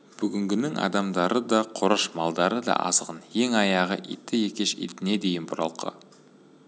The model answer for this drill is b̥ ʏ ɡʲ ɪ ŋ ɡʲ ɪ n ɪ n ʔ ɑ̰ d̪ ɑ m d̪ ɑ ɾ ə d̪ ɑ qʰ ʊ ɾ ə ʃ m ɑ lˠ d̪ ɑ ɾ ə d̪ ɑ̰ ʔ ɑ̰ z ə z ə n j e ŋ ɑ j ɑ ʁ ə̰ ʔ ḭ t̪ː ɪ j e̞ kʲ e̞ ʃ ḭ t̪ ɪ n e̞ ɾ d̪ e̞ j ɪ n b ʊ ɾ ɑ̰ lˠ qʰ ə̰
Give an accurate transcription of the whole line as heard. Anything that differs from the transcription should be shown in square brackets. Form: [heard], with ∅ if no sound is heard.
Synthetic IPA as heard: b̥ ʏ ɡʲ ɪ ŋ ɡʲ ɪ n ɪ [ŋ] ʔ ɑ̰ d̪ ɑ m d̪ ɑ ɾ ə d̪ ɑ qʰ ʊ ɾ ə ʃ m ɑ lˠ d̪ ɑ ɾ ə d̪ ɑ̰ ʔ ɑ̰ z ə [ʁ] ə n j e ŋ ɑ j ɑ ʁ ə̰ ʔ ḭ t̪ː ɪ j e̞ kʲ e̞ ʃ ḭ t̪ ɪ n e̞ [∅] d̪ e̞ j ɪ n b ʊ ɾ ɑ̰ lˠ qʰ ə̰